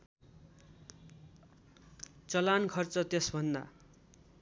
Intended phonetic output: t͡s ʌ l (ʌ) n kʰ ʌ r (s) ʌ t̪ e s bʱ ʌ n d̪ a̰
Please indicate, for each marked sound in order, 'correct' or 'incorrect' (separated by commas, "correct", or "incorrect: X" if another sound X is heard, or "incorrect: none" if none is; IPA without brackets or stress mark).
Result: incorrect: a, incorrect: t͡s